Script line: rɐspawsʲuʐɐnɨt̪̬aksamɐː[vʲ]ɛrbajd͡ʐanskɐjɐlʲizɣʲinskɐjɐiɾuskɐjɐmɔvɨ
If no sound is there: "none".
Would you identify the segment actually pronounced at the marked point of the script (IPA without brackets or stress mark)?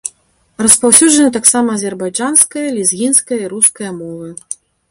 zʲ